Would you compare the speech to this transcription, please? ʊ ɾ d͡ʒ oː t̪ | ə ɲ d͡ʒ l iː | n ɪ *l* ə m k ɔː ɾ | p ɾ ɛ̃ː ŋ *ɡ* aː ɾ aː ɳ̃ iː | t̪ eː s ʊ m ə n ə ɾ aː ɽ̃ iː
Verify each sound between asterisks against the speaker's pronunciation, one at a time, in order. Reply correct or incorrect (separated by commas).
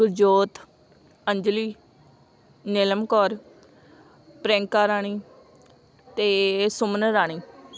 correct, incorrect